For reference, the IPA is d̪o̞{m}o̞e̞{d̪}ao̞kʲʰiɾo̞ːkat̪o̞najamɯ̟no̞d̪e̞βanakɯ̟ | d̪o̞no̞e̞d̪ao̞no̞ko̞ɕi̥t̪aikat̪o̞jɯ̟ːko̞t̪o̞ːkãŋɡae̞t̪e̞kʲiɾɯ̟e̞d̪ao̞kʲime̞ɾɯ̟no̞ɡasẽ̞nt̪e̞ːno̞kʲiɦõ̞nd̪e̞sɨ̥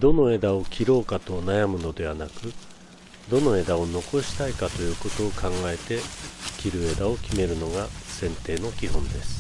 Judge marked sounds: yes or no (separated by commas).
no, yes